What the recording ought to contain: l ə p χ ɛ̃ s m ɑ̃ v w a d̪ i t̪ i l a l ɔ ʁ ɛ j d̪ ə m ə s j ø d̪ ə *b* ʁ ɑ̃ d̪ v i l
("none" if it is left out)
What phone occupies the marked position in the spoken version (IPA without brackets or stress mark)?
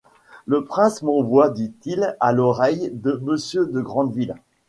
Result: ɡ